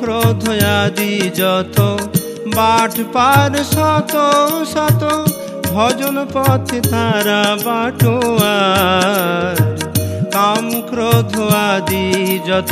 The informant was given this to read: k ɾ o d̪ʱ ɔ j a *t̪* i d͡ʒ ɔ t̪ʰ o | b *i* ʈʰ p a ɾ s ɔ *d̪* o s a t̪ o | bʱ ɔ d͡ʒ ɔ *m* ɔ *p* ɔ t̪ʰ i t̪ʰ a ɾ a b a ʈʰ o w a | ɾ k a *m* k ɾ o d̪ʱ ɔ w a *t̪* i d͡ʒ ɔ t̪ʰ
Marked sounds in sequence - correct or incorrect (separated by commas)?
incorrect, incorrect, incorrect, incorrect, correct, correct, incorrect